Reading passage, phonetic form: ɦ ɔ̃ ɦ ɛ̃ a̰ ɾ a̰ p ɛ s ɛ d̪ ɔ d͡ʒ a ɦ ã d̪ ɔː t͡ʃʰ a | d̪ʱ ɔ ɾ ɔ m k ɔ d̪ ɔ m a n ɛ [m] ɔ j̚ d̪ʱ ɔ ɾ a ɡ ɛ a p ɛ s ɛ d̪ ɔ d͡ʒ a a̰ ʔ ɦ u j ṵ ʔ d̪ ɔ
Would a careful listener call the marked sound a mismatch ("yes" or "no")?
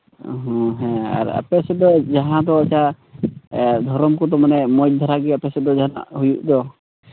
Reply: no